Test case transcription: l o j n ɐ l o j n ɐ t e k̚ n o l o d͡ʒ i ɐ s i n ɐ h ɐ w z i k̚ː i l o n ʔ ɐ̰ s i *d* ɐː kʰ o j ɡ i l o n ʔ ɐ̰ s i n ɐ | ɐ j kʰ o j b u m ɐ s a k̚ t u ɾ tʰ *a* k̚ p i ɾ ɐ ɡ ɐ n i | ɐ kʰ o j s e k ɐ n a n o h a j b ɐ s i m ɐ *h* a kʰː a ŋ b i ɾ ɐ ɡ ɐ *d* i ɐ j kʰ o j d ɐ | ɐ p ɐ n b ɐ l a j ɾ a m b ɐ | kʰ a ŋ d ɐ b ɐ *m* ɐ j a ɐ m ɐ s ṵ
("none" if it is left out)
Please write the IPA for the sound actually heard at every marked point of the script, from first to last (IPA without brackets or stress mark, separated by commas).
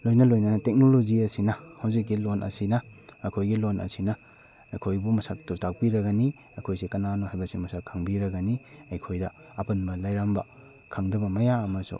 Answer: n, a, s, n, m